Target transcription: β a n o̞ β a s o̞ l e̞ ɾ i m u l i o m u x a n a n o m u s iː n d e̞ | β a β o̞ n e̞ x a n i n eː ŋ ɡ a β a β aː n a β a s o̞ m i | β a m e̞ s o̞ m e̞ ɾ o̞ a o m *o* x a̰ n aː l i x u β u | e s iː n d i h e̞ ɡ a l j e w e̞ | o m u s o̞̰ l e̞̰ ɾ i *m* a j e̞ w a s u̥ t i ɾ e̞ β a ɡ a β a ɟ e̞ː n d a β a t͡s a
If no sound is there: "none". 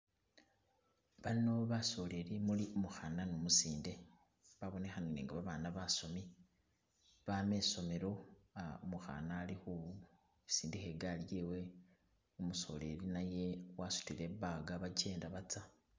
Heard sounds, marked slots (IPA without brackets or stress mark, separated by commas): u, n